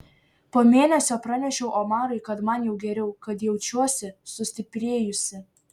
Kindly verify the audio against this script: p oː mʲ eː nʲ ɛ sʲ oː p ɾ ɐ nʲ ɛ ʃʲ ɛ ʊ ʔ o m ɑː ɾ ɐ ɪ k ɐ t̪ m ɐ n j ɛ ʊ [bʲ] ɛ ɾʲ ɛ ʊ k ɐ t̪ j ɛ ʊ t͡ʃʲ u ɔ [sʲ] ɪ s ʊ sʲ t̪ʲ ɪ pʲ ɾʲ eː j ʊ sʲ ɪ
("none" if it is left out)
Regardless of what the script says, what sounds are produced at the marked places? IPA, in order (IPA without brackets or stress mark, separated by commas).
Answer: ɡʲ, sʲ